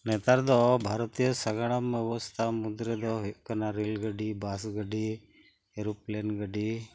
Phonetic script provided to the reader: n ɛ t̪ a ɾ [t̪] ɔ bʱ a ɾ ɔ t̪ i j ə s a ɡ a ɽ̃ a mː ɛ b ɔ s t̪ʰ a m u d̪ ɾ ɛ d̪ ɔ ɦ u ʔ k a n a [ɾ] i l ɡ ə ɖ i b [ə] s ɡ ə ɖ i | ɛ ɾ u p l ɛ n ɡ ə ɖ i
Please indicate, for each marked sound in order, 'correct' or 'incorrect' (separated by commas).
incorrect, correct, incorrect